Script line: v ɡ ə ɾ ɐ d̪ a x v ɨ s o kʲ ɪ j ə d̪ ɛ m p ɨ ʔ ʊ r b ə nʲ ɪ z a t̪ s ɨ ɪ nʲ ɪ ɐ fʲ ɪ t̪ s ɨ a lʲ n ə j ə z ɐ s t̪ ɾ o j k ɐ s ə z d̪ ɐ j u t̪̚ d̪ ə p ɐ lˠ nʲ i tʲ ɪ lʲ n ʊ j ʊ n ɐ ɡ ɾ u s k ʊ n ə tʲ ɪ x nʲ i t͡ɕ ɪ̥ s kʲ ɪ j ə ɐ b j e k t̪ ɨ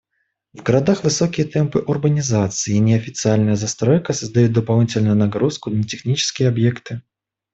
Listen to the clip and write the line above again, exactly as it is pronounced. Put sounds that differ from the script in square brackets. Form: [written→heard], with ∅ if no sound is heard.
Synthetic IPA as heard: v ɡ ə ɾ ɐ d̪ a x v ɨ s o kʲ ɪ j ə [d̪→t̪] ɛ m p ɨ ʔ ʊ r b ə nʲ ɪ z a t̪ s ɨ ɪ nʲ ɪ ɐ fʲ ɪ t̪ s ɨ a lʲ n ə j ə z ɐ s t̪ ɾ o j k [ɐ→ə] s ə z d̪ ɐ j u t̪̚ d̪ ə p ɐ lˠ nʲ i tʲ ɪ lʲ n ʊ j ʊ n ɐ ɡ ɾ u s k ʊ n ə tʲ ɪ x nʲ i t͡ɕ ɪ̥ s kʲ ɪ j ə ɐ b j e k t̪ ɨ